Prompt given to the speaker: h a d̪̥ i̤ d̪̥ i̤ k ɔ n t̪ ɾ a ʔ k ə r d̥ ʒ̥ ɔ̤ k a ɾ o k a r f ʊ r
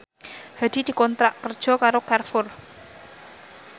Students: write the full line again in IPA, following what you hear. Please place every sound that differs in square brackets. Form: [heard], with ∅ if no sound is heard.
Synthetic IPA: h a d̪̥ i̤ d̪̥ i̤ k ɔ n t̪ ɾ a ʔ k ə r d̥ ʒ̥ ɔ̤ k a ɾ o k a r f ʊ r